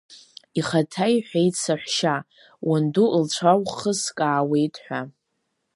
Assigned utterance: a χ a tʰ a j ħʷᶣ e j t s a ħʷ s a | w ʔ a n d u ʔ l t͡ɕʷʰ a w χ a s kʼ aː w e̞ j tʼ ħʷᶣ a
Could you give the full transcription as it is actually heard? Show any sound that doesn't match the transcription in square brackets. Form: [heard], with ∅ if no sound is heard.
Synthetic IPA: [i] χ a tʰ a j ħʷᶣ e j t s a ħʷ [ʃ] a | w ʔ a n d u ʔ l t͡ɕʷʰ a w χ [ə] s kʼ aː w e̞ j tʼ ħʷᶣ a